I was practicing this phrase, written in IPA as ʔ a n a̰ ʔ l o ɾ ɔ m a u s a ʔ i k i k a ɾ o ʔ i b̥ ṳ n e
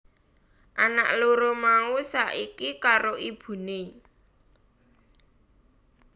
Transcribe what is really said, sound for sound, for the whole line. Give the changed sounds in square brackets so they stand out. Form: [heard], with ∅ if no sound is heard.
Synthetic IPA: ʔ a n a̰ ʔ l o ɾ [o] m a u s a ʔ i k i k a ɾ o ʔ i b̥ ṳ n e

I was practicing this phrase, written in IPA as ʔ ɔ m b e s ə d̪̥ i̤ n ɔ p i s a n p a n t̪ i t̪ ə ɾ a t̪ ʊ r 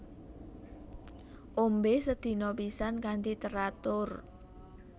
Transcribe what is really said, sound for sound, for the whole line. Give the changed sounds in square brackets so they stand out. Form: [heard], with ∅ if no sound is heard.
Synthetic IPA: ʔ [o] m b e s ə d̪̥ i̤ n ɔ p i s a n [k] a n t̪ i t̪ ə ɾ a t̪ ʊ r

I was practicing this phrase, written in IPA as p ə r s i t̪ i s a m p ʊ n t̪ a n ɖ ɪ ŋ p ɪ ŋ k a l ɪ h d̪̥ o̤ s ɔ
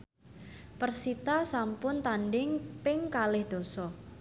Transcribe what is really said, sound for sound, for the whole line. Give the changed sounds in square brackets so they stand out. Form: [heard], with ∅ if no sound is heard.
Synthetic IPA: p ə r s i t̪ [a] s a m p ʊ n t̪ a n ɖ ɪ ŋ p ɪ ŋ k a l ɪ h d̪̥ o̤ s ɔ

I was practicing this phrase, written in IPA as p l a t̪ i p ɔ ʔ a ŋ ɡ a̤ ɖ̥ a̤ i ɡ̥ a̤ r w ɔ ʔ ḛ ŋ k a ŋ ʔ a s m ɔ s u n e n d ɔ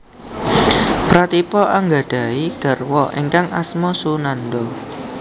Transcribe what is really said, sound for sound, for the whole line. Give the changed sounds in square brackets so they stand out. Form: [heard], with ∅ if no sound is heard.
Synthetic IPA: p [ɾ] a t̪ i p ɔ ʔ a ŋ ɡ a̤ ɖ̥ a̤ i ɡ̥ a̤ r w ɔ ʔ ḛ ŋ k a ŋ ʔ a s m ɔ s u n [a] n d ɔ

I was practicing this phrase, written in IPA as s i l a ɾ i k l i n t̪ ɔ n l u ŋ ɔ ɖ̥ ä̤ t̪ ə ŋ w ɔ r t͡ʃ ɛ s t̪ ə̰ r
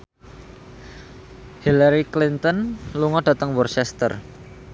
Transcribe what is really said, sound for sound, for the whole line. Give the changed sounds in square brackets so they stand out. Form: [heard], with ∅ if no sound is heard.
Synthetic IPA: [h] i l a ɾ i k l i n t̪ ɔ n l u ŋ ɔ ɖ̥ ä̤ t̪ ə ŋ w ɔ r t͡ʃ ɛ s t̪ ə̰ r

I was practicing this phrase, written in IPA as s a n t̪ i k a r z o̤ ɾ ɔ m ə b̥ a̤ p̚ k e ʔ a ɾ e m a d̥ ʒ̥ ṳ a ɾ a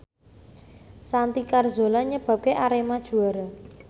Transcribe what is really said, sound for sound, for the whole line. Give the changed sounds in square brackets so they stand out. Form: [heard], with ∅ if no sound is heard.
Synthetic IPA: s a n t̪ i k a r z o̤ [l] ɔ [ɲ] ə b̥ a̤ p̚ k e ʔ a ɾ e m a d̥ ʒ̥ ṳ a ɾ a

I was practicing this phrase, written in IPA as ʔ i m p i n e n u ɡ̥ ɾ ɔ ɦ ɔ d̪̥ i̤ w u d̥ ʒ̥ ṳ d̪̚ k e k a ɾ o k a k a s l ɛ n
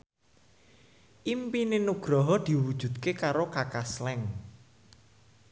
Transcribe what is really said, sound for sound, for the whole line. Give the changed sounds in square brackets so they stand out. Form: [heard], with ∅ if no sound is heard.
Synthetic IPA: ʔ i m p i n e n u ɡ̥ ɾ ɔ ɦ ɔ d̪̥ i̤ w u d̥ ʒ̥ ṳ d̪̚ k e k a ɾ o k a k a s l ɛ [ŋ]

